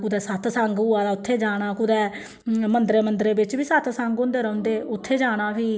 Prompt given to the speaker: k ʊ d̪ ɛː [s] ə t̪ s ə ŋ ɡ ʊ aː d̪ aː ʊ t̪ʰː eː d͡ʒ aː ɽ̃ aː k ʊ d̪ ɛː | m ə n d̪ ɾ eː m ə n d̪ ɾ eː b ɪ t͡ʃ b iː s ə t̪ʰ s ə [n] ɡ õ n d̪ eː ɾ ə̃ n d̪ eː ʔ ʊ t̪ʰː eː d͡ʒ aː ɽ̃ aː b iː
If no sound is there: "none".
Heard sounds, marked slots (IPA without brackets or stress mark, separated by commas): s, ŋ